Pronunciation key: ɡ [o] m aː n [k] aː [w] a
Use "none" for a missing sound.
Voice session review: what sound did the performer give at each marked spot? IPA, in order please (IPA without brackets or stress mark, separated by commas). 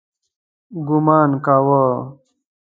u, k, w